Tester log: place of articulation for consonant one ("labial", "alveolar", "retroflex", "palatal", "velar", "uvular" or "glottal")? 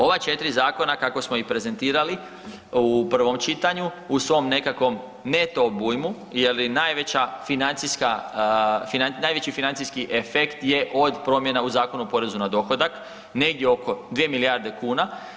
labial